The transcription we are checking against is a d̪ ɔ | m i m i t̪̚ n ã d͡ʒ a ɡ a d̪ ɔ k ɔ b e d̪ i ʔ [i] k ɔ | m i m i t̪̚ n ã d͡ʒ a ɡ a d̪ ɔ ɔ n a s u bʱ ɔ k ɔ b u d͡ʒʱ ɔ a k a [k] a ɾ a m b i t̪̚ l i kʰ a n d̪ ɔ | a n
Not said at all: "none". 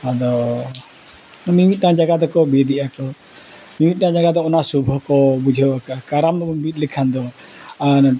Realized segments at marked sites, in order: a, k

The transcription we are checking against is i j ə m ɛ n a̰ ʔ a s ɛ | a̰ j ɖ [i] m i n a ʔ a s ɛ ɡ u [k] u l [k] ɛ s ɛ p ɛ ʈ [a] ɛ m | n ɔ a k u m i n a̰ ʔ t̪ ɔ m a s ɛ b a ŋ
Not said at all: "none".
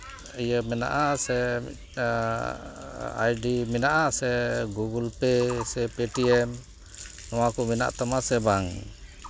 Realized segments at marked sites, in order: i, ɡ, p, i

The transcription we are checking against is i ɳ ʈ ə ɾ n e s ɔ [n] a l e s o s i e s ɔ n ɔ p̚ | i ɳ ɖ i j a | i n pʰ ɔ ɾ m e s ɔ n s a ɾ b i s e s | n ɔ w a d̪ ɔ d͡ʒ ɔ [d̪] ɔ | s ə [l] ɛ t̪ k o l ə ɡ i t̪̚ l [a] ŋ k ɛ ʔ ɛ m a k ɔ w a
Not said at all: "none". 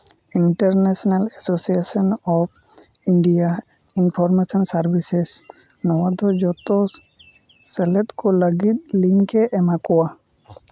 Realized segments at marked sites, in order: n, t̪, l, i

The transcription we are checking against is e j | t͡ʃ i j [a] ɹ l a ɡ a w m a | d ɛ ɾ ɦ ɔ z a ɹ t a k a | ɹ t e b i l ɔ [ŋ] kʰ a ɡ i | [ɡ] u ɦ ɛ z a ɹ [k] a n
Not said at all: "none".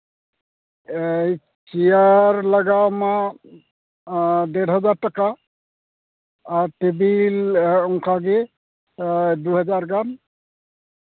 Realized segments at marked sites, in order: a, ŋ, d, ɡ

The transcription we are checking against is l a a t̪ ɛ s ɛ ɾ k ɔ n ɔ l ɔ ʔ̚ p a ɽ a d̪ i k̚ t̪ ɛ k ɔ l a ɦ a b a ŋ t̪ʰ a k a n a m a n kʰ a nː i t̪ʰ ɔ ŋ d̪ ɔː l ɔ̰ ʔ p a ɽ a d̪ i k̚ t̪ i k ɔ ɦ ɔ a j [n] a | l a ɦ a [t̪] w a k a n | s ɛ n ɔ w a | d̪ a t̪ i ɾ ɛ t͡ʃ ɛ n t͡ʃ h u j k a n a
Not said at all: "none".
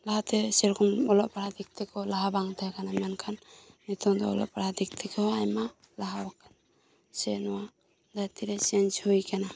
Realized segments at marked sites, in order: m, none

